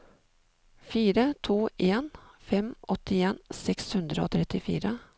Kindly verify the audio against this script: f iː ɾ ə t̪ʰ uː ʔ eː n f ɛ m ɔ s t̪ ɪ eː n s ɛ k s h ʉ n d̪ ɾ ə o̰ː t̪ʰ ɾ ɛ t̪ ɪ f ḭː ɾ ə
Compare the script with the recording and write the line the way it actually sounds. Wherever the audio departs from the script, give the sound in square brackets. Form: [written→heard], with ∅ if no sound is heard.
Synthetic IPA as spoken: f iː ɾ ə t̪ʰ uː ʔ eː n f ɛ m ɔ [s→∅] t̪ ɪ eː n s ɛ k s h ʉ n d̪ ɾ ə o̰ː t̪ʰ ɾ ɛ t̪ ɪ f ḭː ɾ ə